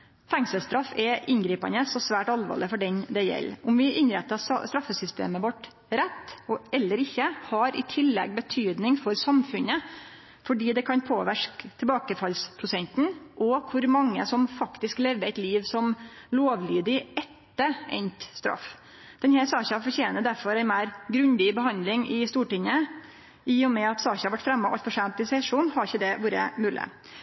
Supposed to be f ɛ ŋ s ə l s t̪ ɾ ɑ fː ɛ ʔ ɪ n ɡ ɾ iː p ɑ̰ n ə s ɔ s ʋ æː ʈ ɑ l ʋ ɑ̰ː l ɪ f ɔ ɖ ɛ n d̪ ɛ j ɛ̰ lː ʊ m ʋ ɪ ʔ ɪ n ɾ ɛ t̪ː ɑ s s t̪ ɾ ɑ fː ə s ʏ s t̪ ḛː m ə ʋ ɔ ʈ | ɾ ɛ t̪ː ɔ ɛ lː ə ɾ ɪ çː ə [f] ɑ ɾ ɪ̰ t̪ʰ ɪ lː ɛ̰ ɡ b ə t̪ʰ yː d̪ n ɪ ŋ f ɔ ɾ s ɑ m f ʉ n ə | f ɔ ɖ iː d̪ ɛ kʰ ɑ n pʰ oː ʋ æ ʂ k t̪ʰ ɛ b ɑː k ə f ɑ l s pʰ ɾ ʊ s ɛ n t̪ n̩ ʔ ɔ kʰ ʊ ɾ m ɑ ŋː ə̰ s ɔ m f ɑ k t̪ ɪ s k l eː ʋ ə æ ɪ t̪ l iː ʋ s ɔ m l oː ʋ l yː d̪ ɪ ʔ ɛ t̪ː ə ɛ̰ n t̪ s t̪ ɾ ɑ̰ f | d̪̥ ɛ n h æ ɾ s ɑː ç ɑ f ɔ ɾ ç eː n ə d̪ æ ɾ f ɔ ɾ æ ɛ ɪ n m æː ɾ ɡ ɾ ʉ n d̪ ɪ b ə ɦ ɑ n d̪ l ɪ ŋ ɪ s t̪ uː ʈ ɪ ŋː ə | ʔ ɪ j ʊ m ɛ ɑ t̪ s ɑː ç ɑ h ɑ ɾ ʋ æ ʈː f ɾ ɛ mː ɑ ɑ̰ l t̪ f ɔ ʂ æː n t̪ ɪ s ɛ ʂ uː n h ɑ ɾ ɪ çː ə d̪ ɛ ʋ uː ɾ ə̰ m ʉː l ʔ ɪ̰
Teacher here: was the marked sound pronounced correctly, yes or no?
no